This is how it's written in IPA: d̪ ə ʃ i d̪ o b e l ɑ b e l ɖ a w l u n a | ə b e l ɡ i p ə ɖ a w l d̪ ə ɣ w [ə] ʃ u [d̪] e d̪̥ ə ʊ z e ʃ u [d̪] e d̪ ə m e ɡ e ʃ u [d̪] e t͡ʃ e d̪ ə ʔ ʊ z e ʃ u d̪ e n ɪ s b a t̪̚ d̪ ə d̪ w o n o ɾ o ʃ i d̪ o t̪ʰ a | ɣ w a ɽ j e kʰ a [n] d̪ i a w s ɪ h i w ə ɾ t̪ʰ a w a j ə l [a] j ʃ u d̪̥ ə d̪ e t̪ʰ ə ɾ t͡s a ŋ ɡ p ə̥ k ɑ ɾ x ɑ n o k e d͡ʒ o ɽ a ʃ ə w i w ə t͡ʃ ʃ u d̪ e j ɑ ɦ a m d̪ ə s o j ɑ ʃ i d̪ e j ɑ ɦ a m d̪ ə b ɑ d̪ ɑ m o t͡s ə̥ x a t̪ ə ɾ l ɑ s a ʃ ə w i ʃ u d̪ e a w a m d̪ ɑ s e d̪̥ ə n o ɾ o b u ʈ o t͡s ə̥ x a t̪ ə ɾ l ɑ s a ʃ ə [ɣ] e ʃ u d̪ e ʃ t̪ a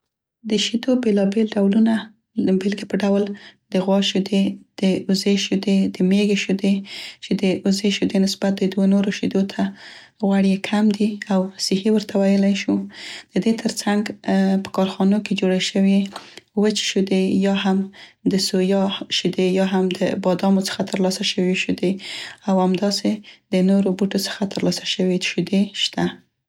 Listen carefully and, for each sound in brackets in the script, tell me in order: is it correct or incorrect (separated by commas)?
incorrect, correct, correct, correct, incorrect, correct, incorrect